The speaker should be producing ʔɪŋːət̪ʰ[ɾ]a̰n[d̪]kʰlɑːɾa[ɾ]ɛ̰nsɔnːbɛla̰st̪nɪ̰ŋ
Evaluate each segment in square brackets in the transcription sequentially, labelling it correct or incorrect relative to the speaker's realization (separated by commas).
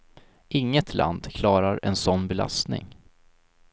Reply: incorrect, correct, correct